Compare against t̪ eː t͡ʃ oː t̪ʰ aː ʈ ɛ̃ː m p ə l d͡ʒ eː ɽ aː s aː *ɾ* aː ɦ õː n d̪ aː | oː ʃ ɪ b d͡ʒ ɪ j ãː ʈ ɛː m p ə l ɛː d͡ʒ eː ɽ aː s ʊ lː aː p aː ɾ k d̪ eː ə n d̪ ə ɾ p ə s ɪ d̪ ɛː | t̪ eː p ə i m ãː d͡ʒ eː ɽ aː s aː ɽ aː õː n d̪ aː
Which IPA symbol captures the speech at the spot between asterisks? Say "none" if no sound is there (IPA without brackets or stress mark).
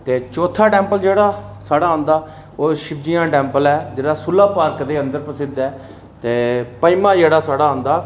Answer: ɽ